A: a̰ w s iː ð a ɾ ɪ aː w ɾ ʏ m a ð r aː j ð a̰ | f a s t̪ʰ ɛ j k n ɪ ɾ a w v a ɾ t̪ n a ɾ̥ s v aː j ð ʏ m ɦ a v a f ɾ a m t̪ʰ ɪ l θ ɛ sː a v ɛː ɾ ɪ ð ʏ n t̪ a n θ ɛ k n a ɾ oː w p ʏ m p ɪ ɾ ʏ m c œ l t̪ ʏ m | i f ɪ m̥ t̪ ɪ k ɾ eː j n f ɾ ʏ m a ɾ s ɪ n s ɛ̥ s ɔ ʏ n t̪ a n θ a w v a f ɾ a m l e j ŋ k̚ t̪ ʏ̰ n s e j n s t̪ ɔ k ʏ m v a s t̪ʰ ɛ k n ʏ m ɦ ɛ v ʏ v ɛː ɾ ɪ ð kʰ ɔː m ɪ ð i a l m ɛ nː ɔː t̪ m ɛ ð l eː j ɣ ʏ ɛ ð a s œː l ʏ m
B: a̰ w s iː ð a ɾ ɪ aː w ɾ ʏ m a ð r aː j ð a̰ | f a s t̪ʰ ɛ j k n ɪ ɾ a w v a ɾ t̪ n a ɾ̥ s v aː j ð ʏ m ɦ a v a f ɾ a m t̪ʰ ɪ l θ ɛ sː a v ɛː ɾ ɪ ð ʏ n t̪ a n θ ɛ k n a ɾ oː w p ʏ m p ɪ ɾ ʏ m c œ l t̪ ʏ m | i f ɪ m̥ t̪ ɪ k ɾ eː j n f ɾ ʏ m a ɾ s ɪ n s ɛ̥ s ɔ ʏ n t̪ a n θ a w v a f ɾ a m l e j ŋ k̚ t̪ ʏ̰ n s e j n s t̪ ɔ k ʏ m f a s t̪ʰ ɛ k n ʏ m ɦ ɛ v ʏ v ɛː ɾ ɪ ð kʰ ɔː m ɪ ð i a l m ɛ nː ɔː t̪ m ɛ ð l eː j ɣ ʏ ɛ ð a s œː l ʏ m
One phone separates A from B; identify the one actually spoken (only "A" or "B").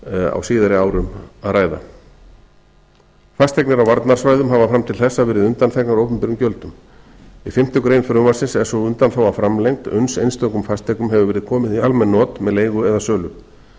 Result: B